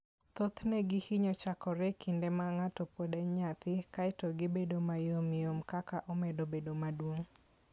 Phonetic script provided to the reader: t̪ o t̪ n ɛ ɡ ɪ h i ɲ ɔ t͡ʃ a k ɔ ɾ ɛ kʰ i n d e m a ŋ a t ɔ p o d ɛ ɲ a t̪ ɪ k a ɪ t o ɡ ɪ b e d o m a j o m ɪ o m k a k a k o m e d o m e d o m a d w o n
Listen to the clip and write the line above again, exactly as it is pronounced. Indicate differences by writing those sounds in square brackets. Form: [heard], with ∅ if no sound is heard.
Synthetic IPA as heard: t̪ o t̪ n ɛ ɡ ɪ h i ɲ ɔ t͡ʃ a k ɔ ɾ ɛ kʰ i n d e m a ŋ a t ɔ p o d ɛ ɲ a t̪ ɪ k a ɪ t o ɡ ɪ b e d o m a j o m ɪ o m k a k a [ʔ] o m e d o [b] e d o m a d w o [ŋ]